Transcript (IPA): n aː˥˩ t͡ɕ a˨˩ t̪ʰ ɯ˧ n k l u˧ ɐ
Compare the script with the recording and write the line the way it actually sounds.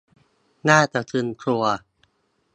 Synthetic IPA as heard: n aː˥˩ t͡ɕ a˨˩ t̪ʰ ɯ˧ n kʰ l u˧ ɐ